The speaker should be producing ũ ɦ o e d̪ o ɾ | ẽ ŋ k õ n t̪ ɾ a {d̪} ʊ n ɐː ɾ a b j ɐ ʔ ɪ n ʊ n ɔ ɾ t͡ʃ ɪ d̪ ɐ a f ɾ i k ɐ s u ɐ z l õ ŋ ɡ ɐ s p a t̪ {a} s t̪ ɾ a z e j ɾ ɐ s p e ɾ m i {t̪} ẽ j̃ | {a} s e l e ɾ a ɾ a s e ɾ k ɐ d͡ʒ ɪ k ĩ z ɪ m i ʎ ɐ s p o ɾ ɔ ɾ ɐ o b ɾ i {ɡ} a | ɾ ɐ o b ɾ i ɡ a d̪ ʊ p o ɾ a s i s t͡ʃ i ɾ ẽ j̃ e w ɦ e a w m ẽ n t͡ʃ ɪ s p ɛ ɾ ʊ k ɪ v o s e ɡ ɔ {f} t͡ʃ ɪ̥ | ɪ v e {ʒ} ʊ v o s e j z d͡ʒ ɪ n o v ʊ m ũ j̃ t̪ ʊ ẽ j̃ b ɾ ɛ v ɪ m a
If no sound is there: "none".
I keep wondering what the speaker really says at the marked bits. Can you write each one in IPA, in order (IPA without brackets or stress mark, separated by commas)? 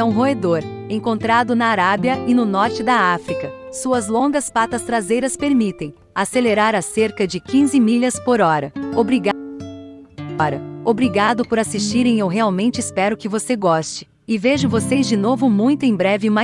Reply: d̪, ɐ, t̪, a, ɡ, s, ʒ